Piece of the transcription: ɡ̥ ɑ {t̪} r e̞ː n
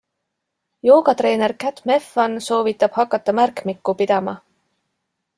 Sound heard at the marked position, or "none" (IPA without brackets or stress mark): t̪